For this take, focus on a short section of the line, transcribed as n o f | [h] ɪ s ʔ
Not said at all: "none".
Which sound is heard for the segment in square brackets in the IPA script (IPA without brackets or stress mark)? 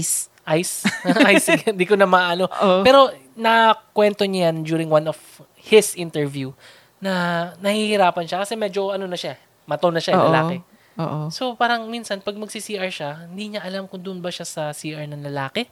h